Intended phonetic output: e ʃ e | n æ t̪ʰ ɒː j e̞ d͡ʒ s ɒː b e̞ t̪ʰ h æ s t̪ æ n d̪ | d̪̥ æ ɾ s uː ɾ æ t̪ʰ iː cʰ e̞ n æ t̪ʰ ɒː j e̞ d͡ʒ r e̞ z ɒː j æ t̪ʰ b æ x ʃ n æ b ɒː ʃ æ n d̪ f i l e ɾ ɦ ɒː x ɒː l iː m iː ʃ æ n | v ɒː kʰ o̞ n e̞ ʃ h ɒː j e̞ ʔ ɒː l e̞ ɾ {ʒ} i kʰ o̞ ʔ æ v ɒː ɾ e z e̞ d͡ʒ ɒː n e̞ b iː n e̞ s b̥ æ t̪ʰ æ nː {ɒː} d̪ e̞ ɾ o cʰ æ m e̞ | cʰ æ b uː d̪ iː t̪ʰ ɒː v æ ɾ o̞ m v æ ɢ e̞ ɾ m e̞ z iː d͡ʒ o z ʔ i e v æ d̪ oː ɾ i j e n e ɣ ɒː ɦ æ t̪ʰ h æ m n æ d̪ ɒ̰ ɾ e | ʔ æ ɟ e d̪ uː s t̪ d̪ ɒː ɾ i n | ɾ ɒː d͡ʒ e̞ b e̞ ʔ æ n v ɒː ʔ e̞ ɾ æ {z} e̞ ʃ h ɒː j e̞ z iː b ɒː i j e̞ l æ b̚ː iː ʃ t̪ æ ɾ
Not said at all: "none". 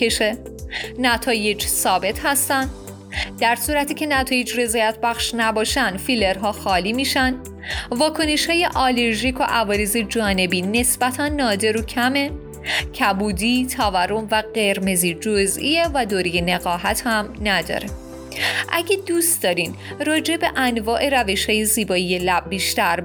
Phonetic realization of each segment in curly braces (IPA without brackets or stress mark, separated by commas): ʒ, ɒː, v